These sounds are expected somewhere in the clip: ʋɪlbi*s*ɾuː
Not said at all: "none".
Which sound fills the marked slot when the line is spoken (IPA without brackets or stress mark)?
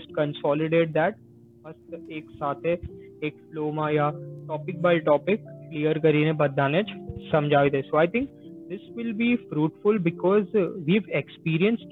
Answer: f